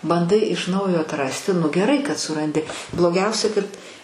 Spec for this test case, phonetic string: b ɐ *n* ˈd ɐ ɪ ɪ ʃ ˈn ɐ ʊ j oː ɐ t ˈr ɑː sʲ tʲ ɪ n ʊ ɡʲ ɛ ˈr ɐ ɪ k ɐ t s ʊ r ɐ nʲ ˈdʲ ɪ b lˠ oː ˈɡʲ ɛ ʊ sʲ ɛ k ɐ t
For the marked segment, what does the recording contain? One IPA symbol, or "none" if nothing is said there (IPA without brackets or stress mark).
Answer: n